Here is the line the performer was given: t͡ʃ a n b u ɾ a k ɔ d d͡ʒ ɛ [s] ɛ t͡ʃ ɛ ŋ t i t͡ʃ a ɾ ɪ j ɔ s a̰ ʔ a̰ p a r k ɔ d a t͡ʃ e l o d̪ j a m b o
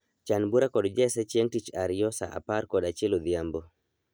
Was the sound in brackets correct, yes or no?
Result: yes